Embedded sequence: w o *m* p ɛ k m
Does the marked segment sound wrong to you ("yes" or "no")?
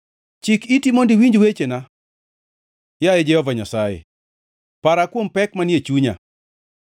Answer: no